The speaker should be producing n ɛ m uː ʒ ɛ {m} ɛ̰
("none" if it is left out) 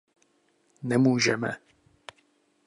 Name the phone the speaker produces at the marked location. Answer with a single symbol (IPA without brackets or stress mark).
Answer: m